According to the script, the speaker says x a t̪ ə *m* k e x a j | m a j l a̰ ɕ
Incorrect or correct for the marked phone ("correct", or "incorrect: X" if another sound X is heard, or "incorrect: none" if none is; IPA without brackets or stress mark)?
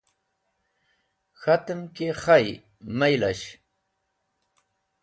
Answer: correct